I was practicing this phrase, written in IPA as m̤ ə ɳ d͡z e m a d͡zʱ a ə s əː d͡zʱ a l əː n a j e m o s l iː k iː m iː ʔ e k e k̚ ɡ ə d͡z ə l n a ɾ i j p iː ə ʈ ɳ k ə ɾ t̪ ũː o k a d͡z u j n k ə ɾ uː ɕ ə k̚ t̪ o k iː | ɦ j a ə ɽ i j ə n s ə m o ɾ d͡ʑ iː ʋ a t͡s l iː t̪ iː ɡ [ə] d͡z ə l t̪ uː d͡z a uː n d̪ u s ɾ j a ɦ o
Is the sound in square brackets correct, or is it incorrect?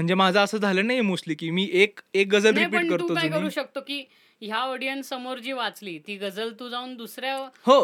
correct